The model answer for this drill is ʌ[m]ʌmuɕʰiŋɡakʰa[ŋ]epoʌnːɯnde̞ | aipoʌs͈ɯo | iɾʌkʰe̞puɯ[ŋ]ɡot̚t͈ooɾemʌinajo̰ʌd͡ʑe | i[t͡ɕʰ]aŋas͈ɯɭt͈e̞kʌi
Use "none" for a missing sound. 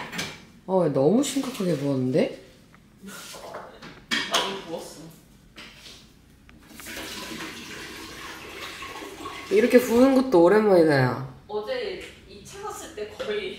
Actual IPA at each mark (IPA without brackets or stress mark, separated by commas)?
n, ɡ, n, t͡ɕʰ